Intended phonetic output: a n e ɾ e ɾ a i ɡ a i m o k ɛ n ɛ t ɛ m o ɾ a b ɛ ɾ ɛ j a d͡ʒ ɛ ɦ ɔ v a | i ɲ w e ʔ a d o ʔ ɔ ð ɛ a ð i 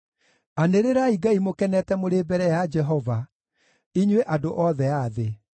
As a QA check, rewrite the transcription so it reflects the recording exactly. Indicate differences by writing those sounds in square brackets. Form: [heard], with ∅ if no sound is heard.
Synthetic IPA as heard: a n e ɾ e ɾ a i ɡ a i m o k ɛ n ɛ t ɛ m o ɾ [e] b ɛ ɾ ɛ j a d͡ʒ ɛ ɦ ɔ v a | i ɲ w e ʔ a d o ʔ ɔ ð ɛ a ð [e]